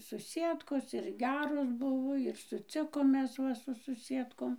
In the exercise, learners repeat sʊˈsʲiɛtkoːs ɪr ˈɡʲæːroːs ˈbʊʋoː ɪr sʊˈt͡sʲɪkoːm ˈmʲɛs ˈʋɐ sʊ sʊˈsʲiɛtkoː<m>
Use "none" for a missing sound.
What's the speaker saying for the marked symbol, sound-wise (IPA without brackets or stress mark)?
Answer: m